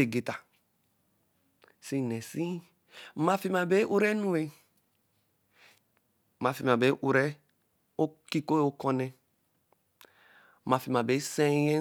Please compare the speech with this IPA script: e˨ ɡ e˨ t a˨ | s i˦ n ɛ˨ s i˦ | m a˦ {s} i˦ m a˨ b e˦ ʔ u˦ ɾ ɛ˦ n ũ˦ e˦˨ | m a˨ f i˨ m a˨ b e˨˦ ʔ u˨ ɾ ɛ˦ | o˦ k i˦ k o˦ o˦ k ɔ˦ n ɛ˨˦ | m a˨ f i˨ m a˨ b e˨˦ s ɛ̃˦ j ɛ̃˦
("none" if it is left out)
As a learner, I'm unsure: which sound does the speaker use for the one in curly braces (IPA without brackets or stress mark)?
f